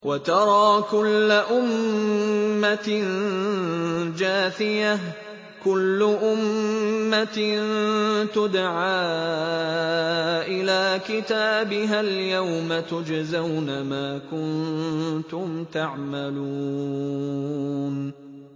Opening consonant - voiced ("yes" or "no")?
yes